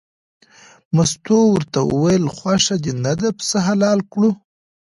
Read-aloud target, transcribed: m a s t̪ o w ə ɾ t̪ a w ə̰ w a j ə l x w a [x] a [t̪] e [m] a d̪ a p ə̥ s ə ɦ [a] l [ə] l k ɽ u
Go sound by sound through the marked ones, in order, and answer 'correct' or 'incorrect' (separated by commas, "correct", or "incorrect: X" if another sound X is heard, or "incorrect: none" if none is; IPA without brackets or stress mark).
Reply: incorrect: ʂ, incorrect: d̪, incorrect: n, correct, incorrect: ɑ